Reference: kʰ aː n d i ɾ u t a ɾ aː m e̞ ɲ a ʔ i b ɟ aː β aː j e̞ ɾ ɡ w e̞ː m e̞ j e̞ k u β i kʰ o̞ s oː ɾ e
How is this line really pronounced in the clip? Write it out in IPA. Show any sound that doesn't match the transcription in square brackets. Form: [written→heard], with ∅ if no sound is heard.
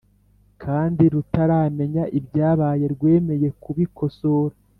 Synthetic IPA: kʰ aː n d i ɾ u t a ɾ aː m e̞ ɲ a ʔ i b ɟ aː β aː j e̞ ɾ ɡ w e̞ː m e̞ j e̞ k u β i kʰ o̞ s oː ɾ [e→a]

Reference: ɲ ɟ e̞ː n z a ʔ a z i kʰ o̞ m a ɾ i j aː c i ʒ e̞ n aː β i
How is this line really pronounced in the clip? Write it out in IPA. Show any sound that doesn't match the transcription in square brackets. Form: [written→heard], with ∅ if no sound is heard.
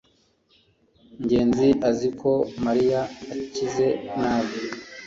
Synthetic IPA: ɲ ɟ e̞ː n z [a→i] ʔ a z i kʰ o̞ m a ɾ i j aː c i [ʒ→z] e̞ n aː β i

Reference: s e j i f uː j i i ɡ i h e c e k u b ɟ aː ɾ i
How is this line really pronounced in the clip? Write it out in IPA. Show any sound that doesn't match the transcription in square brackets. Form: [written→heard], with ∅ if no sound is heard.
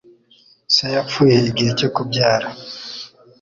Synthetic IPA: s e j [i→a] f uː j [i→e] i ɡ i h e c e k u b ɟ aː ɾ [i→a]

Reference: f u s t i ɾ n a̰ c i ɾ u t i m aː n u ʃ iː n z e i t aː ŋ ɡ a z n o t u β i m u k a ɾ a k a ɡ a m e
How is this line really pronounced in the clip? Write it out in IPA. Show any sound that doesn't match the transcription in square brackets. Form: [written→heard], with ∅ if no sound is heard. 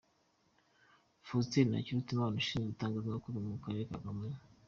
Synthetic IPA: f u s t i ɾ n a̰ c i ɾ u t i m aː n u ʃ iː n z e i t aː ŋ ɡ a z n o [t→k] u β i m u k a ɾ [a→e] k a ɡ a m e

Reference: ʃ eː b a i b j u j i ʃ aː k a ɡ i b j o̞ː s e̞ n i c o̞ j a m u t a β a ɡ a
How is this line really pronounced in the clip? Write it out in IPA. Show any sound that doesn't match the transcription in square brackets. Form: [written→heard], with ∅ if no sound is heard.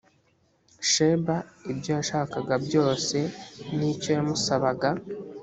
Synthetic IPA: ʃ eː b a i b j [u→o] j [i→a] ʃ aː k a ɡ [i→a] b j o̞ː s e̞ n i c o̞ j a m u [t→s] a β a ɡ a

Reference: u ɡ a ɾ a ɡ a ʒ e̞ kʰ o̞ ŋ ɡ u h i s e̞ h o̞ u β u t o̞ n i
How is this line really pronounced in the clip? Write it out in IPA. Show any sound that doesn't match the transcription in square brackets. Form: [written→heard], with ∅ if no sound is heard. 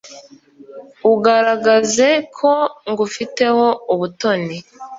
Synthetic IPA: u ɡ a ɾ a ɡ a [ʒ→z] e̞ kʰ o̞ ŋ ɡ u [h→f] i [s→t] e̞ h o̞ u β u t o̞ n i

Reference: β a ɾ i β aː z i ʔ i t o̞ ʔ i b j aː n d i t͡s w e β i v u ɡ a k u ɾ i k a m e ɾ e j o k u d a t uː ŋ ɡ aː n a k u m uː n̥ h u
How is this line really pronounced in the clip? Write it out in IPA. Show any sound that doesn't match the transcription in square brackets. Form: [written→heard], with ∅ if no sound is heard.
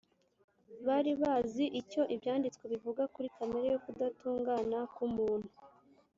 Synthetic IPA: β a ɾ i β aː z i ʔ i [t→c] o̞ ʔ i b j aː n d i t͡s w e β i v u ɡ a k u ɾ i k a m e ɾ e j o k u d a t uː ŋ ɡ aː n a k u m uː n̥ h u

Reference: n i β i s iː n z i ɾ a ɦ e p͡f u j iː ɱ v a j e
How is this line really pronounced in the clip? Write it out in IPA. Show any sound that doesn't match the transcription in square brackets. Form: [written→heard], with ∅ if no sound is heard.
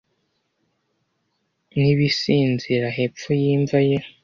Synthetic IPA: n i β i s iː n z i ɾ a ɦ e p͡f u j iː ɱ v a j e

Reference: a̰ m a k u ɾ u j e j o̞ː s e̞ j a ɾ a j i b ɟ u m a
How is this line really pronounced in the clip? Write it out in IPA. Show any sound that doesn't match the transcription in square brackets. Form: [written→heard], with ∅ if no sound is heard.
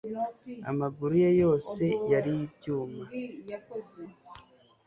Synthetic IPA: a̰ m a [k→ɡ] u ɾ u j e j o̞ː s e̞ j a ɾ [a→i] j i b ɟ [u→uː] m a

